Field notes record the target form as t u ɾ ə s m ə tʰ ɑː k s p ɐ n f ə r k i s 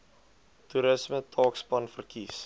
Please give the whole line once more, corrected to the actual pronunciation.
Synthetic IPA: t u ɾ ə s m ə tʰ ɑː k s p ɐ n f ə r k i s